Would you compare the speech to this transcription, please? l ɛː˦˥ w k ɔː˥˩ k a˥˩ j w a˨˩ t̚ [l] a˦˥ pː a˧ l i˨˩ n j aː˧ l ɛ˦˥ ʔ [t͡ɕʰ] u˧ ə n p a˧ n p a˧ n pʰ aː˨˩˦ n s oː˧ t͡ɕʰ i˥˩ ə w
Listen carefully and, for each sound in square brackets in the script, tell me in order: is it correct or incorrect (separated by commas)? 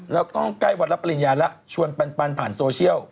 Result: correct, correct